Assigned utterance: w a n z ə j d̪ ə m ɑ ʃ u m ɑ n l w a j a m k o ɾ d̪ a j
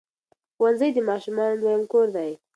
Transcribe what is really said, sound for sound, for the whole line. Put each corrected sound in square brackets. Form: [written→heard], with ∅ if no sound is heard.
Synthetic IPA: w a n z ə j d̪ ə m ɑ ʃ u m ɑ n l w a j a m k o ɾ d̪ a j

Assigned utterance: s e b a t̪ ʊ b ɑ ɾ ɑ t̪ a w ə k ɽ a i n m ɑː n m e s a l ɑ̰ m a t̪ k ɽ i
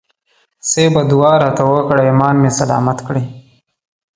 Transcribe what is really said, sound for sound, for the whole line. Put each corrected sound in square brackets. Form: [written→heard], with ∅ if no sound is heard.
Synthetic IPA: s e b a [t̪→d̪] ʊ [b→w] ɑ ɾ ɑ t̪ a w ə k ɽ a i [n→∅] m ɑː n m e s a l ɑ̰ m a t̪ k ɽ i

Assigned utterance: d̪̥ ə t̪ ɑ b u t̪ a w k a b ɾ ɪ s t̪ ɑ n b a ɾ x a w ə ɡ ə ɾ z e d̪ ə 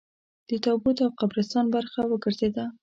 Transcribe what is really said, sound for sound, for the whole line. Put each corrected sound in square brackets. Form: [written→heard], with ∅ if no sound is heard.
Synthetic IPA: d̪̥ ə t̪ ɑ b u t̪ a w [k→q] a b ɾ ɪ s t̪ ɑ n b a ɾ x a w ə ɡ ə ɾ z e d̪ [ə→a]

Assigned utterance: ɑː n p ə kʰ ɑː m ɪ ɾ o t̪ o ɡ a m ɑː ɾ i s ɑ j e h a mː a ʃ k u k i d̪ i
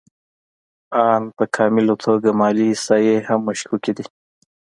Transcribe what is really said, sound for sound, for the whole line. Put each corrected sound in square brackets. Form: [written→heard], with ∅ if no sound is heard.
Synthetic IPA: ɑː n p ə kʰ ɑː m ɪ [ɾ→l] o [t̪→t̪ʰ] o ɡ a m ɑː [ɾ→l] i s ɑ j e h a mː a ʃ k u k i d̪ i

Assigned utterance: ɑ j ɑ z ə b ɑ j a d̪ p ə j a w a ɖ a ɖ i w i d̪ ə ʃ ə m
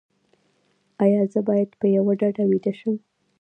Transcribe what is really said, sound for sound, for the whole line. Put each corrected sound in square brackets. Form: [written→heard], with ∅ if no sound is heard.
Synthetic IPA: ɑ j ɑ z ə b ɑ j a d̪ p ə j a w a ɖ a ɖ [i→a] w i d̪ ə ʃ ə m

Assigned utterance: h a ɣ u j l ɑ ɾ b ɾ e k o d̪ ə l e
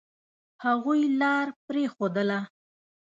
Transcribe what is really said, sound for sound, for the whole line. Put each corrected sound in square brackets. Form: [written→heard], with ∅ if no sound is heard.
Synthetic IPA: h a ɣ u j l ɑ ɾ [b→p] ɾ e [k→x] o d̪ ə l [e→a]

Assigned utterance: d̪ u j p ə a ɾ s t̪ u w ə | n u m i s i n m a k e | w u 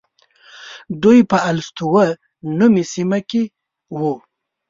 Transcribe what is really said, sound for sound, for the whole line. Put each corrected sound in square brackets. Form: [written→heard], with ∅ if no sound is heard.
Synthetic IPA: d̪ u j p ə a [ɾ→l] s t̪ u w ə | n u m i s i [n→∅] m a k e | w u

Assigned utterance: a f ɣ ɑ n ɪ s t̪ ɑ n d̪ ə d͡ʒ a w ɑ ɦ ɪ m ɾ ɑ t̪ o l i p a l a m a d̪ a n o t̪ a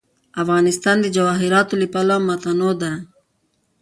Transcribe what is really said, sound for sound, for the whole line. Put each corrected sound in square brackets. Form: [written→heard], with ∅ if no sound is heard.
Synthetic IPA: a f ɣ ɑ n ɪ s t̪ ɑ n d̪ ə d͡ʒ a w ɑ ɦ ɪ [m→∅] ɾ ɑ t̪ o l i p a l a m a [d̪→t̪] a n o [t̪→d̪] a

